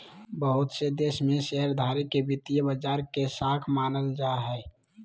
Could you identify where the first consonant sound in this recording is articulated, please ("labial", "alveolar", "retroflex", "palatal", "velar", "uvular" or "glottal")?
labial